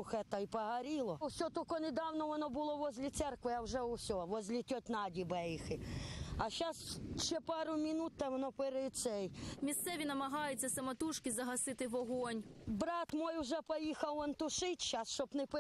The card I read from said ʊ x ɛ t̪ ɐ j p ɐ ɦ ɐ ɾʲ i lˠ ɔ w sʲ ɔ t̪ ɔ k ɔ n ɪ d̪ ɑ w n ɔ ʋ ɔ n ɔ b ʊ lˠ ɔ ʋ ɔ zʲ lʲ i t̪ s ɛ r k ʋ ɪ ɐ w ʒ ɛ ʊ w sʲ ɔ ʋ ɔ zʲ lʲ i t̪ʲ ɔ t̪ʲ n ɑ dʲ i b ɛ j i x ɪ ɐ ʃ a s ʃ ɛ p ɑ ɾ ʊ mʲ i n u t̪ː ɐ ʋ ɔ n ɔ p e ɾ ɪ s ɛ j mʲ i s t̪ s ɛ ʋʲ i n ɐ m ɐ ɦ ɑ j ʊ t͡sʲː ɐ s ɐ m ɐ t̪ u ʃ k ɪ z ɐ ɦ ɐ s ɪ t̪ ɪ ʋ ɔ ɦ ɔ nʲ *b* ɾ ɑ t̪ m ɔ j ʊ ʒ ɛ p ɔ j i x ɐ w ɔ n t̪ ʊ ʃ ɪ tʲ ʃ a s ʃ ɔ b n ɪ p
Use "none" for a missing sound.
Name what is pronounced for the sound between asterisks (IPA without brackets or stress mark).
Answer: b